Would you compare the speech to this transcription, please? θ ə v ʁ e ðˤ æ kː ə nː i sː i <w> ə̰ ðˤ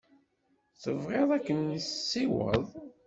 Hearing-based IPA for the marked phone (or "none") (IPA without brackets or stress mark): w